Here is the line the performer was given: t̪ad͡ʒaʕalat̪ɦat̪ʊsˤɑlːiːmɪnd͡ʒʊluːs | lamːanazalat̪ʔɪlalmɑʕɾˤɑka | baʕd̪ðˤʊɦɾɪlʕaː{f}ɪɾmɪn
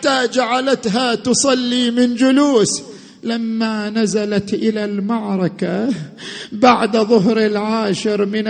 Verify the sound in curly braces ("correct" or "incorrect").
incorrect